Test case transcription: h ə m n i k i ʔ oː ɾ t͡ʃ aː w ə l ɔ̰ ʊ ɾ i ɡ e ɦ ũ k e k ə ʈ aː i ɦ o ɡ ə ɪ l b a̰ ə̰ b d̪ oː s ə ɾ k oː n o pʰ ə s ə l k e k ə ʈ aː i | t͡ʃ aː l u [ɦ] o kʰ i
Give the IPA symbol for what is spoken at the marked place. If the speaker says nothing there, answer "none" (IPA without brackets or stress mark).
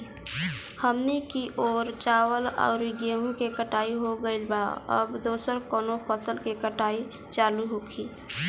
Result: ɦ